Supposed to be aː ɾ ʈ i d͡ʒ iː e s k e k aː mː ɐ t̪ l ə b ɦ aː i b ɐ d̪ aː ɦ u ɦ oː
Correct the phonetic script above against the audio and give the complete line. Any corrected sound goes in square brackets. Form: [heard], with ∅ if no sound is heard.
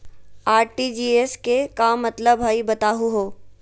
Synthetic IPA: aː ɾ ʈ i d͡ʒ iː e s k e k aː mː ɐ t̪ l ə b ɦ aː i b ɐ [t̪] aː ɦ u ɦ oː